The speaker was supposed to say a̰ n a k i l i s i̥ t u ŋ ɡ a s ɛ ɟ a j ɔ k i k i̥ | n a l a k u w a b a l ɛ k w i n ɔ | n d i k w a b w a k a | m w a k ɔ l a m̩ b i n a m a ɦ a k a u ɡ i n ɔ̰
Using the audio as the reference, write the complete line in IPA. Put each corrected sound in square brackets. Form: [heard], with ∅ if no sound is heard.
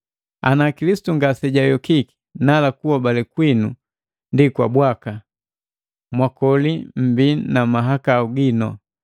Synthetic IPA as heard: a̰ n a k i l i s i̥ t u ŋ ɡ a s ɛ ɟ a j ɔ k i k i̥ | n a l a k u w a b a l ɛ k w i n [u] | n d i k w a b w a k a | m w a k ɔ l [i] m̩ b i n a m a ɦ a k a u ɡ i n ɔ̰